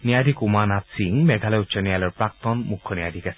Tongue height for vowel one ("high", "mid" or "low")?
high